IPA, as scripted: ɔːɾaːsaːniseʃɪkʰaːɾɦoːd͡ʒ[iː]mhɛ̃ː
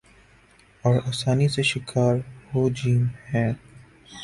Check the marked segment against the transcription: correct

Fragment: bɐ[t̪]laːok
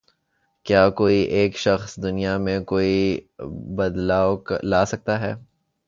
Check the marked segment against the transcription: incorrect: d̪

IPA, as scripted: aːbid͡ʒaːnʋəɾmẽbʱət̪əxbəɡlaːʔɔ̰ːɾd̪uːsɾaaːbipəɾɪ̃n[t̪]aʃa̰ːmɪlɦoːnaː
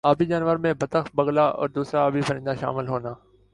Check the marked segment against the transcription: incorrect: d̪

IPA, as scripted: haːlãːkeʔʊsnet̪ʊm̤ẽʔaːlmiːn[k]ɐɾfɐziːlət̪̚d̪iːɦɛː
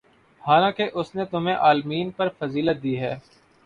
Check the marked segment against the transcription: incorrect: p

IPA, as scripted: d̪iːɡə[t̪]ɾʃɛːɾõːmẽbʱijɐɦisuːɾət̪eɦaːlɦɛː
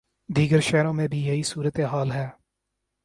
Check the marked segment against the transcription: incorrect: none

